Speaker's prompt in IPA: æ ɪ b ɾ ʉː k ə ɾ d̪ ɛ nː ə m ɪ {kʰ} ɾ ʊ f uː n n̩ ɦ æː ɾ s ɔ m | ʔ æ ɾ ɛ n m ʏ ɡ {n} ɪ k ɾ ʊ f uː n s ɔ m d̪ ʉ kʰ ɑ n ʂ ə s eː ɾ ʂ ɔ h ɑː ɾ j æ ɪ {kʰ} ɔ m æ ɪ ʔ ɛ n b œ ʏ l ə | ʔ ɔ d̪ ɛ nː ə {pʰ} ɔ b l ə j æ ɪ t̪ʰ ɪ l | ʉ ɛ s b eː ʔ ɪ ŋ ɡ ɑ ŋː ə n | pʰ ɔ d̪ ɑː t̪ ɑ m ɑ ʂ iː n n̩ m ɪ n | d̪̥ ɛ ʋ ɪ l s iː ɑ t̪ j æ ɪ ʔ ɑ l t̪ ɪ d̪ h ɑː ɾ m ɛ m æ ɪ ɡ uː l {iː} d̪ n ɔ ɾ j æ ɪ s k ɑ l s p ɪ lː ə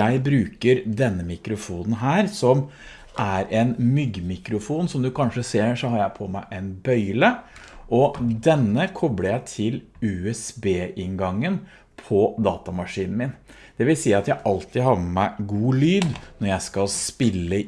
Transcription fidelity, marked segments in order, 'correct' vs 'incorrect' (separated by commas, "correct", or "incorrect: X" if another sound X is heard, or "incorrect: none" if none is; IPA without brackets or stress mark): incorrect: k, incorrect: m, incorrect: pʰ, incorrect: kʰ, incorrect: yː